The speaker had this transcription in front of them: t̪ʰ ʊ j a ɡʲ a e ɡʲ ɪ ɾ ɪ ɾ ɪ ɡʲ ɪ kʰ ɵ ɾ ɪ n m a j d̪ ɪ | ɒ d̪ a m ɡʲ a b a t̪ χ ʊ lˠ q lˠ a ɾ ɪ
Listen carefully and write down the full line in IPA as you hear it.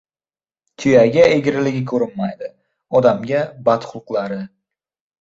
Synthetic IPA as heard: t̪ʰ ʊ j a ɡʲ a e ɡʲ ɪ ɾ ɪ l ɪ ɡʲ ɪ kʰ ɵ ɾ ɪ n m a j d̪ ɪ | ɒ d̪ a m ɡʲ a b a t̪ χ ʊ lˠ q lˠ a ɾ ɪ